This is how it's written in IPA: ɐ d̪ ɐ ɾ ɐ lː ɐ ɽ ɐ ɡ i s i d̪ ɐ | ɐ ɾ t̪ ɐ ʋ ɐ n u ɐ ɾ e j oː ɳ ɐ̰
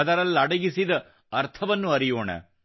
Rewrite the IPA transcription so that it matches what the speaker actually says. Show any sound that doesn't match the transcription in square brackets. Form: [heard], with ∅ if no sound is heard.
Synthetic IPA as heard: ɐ d̪ ɐ ɾ ɐ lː ɐ ɽ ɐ ɡ i s i d̪ ɐ | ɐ ɾ [t̪ʰ] ɐ ʋ ɐ [nː] u ɐ ɾ [i] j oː ɳ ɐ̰